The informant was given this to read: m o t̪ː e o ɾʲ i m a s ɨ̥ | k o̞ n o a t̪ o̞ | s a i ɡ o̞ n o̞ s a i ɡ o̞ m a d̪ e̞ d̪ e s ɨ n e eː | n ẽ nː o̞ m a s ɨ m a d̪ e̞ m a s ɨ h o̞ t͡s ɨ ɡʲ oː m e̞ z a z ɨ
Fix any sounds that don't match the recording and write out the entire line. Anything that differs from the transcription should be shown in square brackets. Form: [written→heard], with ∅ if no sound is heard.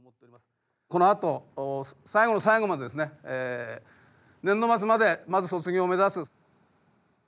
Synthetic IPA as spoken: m o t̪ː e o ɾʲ i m a s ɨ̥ | k o̞ n o a t̪ o̞ | s a i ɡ o̞ n o̞ s a i ɡ o̞ m a d̪ e̞ d̪ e s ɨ n e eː | n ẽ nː o̞ m a [s→t͡s] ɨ m a d̪ e̞ m a [s→z] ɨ [h→s] o̞ t͡s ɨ ɡʲ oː m e̞ z a [z→s] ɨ